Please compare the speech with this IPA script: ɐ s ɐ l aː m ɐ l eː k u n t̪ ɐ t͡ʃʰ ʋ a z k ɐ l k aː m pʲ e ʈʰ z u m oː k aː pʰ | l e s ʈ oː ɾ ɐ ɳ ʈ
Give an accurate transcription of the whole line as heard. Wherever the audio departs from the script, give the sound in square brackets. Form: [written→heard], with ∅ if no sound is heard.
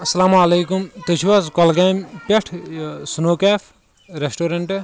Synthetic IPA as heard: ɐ s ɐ l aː m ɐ l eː k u [n→m] t̪ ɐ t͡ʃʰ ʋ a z k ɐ l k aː m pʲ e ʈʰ [z→s] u [m→n] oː k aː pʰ | [l→ɾ] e s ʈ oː ɾ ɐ ɳ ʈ